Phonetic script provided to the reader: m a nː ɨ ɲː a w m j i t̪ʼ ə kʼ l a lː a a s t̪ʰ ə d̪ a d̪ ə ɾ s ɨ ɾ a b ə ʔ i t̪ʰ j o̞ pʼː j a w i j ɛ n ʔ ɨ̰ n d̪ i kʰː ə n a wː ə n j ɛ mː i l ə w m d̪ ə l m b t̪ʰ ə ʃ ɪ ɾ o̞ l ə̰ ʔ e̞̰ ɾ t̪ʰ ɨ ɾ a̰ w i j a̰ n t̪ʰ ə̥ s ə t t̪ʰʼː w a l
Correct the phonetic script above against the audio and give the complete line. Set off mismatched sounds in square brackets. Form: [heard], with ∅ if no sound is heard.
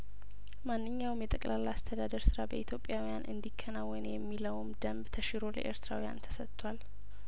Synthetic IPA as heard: m a nː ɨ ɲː a w m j [ɛ] t̪ʼ ə kʼ l a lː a a s t̪ʰ ə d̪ a d̪ ə ɾ s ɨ ɾ a b ə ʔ i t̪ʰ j o̞ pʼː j a w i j [a] n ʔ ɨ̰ n d̪ i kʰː ə n a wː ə n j ɛ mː i l ə w m d̪ ə [∅] m b t̪ʰ ə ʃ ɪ ɾ o̞ l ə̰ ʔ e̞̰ ɾ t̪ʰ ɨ ɾ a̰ w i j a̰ n t̪ʰ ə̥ s ə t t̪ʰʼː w a l